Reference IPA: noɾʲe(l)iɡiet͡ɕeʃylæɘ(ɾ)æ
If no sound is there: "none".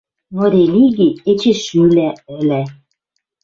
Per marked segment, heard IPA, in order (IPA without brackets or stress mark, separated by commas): l, l